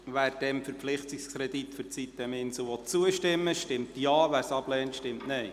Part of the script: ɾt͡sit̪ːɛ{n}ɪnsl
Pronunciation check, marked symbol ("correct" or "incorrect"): incorrect